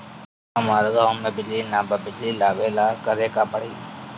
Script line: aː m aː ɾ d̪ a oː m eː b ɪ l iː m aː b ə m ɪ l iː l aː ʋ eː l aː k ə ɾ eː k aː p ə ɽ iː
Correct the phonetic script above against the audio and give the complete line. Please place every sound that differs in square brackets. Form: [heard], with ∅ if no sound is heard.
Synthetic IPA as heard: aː m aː ɾ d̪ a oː m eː b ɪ l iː [n] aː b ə [b] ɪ l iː l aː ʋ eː l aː k ə ɾ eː k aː p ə ɽ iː